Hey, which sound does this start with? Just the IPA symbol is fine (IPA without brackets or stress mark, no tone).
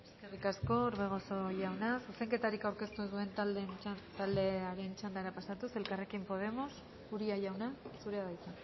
e̞